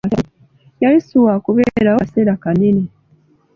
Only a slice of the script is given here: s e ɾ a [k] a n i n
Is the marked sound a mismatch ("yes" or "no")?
no